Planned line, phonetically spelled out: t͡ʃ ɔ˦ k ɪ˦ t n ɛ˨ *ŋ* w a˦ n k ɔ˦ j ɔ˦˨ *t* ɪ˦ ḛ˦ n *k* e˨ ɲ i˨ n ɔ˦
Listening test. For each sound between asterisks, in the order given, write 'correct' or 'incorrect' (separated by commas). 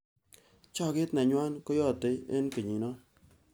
incorrect, correct, correct